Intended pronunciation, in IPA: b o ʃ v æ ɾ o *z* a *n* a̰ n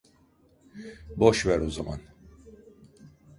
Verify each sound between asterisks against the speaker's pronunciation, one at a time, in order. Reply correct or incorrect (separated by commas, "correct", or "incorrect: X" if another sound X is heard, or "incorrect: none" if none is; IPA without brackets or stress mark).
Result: correct, incorrect: m